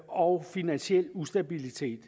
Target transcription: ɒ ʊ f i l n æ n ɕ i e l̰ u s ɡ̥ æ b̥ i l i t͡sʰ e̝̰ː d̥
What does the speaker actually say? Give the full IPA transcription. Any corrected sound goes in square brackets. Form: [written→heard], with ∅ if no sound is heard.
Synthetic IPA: ɒ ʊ f i [l→∅] n æ n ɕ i e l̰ u s [ɡ̥→d̥] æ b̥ i l i t͡sʰ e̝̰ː d̥